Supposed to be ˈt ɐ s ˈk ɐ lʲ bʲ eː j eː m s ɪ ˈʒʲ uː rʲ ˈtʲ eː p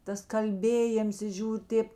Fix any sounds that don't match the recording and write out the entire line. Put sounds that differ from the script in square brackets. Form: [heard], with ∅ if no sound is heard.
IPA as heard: ˈt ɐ s ˈk ɐ lʲ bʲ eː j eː m s ɪ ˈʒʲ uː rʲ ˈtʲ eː p

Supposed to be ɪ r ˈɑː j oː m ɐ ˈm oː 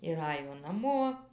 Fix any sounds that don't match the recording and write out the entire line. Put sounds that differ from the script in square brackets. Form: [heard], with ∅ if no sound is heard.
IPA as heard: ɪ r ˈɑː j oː [n] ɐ ˈm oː

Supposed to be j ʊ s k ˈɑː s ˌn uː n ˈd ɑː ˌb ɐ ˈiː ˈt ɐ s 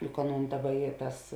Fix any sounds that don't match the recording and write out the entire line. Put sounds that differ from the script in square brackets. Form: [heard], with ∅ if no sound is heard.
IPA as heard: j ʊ [∅] k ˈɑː [∅] ˌn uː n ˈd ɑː ˌb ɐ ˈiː ˈt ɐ s

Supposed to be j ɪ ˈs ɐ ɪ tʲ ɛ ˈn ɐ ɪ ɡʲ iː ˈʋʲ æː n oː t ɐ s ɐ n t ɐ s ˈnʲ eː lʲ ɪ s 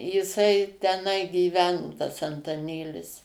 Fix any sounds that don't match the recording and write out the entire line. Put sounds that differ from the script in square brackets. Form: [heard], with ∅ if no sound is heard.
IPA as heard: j ɪ ˈs ɐ ɪ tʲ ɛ ˈn ɐ ɪ ɡʲ iː ˈʋʲ æː n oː t ɐ s ɐ n t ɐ [∅] ˈnʲ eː lʲ ɪ s

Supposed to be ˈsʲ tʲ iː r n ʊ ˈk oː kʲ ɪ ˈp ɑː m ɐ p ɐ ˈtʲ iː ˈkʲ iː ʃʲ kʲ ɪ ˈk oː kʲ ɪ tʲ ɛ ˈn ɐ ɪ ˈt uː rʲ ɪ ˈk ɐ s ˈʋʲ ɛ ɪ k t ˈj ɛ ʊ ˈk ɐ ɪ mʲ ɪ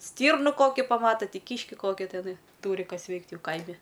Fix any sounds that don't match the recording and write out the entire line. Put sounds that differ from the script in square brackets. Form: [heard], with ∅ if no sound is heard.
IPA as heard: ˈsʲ tʲ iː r n ʊ ˈk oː kʲ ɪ ˈp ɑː m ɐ [t] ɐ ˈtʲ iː ˈkʲ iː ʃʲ kʲ ɪ ˈk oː kʲ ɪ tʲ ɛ ˈn ɐ ɪ ˈt uː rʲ ɪ ˈk ɐ s ˈʋʲ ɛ ɪ k t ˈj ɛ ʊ ˈk ɐ ɪ mʲ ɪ

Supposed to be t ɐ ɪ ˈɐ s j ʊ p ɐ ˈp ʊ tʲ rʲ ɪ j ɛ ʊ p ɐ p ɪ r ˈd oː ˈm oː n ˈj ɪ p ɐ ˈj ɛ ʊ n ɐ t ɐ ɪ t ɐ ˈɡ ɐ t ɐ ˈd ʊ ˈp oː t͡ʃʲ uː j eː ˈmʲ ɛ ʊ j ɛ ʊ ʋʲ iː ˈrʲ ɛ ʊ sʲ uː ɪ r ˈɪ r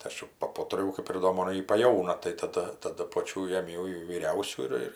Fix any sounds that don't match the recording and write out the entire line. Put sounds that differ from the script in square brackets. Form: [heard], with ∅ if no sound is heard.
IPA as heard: t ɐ ɪ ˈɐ [ʃ] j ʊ p ɐ ˈp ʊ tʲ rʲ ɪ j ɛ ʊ [k] ɐ p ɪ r ˈd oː ˈm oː n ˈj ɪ p ɐ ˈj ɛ ʊ n ɐ t ɐ ɪ t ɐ [ˈd] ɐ t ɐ ˈd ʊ ˈp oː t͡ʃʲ uː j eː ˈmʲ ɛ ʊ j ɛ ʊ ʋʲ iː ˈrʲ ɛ ʊ sʲ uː ɪ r ˈɪ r

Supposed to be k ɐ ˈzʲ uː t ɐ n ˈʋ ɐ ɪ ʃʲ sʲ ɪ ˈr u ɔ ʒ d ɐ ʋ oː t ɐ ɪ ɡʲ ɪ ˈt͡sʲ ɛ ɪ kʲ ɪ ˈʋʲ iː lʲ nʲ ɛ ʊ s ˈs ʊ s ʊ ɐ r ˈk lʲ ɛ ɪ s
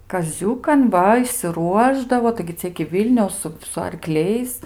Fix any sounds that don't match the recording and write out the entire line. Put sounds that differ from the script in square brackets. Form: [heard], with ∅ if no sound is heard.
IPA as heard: k ɐ ˈzʲ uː [k] ɐ n ˈʋ ɐ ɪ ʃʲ sʲ ɪ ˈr u ɔ ʒ d ɐ ʋ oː t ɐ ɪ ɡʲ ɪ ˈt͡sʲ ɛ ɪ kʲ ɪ ˈʋʲ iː lʲ nʲ ɛ ʊ s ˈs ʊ s ʊ ɐ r ˈk lʲ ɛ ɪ s

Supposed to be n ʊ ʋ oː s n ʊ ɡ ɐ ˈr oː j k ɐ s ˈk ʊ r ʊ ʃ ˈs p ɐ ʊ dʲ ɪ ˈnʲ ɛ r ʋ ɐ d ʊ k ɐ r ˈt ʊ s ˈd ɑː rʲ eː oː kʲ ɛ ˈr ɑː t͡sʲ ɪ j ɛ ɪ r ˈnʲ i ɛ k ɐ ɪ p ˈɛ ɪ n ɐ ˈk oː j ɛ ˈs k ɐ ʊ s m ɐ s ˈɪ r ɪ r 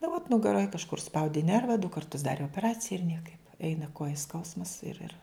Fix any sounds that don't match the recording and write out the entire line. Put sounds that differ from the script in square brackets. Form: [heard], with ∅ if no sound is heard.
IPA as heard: n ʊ ʋ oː [t] n ʊ ɡ ɐ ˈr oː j k ɐ [ʃ] ˈk ʊ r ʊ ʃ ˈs p ɐ ʊ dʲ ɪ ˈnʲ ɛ r ʋ ɐ d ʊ k ɐ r ˈt ʊ s ˈd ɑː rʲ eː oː [pʲ] ɛ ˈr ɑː t͡sʲ ɪ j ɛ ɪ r ˈnʲ i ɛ k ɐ ɪ p ˈɛ ɪ n ɐ ˈk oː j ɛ ˈs k ɐ ʊ s m ɐ s ˈɪ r ɪ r

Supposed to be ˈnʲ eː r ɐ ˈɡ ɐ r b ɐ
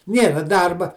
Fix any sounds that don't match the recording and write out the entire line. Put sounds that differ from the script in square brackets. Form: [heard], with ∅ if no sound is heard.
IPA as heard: ˈnʲ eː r ɐ [ˈd] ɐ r b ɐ

